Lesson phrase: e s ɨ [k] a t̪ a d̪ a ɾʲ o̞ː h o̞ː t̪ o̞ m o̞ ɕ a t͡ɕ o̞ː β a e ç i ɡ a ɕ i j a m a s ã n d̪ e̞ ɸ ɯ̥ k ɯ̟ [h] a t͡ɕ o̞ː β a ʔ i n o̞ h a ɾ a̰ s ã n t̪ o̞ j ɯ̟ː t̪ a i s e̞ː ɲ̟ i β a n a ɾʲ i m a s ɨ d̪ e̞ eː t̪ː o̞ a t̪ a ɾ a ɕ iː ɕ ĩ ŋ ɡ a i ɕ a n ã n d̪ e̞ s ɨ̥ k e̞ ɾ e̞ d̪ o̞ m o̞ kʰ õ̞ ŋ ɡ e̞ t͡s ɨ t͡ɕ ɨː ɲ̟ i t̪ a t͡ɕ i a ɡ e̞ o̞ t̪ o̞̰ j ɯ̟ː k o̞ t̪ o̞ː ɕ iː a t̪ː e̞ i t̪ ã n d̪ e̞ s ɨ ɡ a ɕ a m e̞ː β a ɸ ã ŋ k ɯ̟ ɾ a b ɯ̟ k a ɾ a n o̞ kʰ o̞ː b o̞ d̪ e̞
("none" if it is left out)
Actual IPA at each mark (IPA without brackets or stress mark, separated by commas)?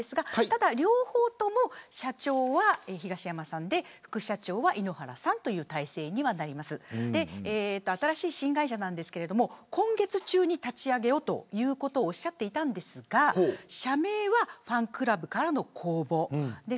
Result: ɡ, ɕ